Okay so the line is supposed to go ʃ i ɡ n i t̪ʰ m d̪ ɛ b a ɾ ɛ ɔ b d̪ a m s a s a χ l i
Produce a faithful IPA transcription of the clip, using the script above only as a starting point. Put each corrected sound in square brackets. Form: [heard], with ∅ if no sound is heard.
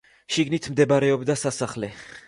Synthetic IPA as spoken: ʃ i ɡ n i t̪ʰ m d̪ ɛ b a ɾ ɛ ɔ b d̪ a [∅] s a s a χ l [ɛ]